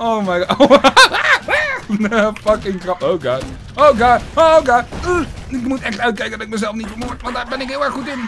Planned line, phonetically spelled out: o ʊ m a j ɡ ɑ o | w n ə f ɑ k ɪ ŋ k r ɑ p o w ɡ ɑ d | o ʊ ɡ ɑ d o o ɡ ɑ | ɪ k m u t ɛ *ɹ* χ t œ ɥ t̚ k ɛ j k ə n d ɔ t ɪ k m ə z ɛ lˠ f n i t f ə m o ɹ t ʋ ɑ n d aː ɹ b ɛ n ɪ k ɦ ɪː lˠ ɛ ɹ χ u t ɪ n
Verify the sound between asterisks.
incorrect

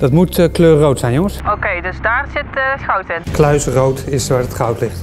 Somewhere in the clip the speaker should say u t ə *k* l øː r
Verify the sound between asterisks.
correct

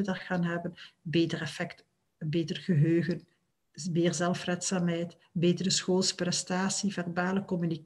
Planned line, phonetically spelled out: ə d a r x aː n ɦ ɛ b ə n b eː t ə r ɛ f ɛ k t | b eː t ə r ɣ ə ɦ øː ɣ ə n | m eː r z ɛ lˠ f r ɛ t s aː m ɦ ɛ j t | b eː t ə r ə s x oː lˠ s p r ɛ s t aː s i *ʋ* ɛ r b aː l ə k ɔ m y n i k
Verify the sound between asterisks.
incorrect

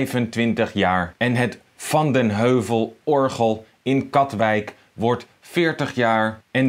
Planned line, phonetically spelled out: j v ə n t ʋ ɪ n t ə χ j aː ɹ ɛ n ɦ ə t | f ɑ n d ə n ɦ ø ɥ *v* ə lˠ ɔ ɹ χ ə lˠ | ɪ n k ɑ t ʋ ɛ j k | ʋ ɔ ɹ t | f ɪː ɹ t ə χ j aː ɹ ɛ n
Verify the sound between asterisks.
correct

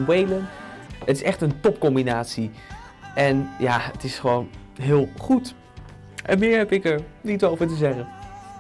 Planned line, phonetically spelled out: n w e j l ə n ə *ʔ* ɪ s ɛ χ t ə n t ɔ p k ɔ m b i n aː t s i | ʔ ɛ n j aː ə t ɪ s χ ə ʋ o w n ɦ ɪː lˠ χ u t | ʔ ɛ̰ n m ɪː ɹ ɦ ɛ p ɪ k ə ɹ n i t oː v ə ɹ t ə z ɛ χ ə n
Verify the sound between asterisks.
incorrect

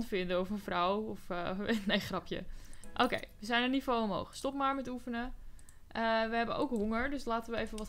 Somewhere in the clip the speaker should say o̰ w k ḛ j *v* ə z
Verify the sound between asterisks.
incorrect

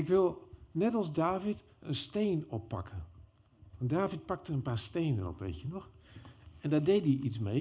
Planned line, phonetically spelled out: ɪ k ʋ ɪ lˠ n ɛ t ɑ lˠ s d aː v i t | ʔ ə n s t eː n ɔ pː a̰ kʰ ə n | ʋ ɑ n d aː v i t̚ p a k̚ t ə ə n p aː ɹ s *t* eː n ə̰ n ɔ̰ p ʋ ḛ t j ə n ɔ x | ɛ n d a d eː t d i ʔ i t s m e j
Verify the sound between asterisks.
correct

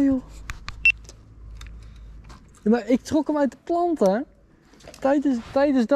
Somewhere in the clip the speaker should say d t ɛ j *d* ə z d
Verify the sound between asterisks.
correct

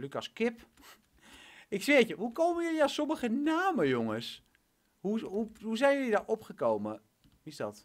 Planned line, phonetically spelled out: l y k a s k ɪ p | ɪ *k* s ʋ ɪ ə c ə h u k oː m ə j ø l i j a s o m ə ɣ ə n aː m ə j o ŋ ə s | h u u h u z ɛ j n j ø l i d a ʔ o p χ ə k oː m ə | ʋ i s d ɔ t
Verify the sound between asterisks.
correct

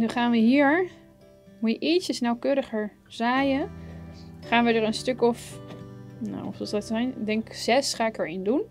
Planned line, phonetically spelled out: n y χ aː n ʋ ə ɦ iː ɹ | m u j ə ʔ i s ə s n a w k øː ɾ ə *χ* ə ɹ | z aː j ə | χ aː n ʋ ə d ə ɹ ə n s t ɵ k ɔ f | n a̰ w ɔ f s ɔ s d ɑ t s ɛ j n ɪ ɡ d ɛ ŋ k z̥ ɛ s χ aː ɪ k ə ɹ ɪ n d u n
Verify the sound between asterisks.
correct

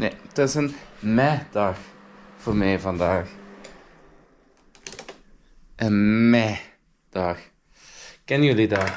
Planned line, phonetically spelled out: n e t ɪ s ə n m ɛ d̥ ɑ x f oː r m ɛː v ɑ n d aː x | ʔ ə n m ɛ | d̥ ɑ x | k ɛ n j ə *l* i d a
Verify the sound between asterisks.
correct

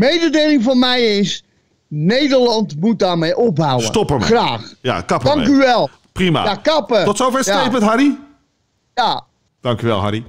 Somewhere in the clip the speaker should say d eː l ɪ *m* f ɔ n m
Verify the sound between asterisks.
incorrect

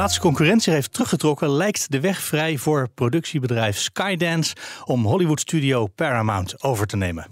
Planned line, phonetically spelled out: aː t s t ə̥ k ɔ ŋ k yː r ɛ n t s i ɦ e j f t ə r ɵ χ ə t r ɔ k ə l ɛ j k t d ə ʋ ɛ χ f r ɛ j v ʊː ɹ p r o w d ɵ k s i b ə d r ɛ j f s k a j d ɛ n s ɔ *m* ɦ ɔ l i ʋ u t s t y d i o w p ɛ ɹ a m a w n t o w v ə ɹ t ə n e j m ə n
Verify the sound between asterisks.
correct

